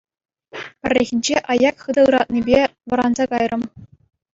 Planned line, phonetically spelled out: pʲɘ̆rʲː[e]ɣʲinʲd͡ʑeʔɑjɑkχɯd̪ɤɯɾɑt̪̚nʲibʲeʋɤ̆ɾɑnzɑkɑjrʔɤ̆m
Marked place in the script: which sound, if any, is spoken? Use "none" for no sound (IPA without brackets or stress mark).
e